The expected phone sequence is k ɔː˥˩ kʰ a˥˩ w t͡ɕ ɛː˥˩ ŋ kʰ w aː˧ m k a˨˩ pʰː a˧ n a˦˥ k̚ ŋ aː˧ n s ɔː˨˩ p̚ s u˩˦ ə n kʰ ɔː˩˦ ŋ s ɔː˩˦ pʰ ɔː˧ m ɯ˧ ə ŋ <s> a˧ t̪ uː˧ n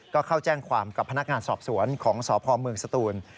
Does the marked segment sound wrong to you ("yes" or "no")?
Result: no